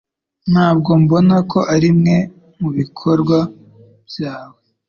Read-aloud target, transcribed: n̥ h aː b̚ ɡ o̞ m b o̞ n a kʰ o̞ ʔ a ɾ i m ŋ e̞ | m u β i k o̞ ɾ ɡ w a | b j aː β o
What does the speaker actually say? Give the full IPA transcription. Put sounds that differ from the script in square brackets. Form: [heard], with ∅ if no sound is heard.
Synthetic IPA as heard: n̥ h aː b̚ ɡ o̞ m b o̞ n a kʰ o̞ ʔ a ɾ i m ŋ e̞ | m u β i [kʰ] o̞ ɾ ɡ w a | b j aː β o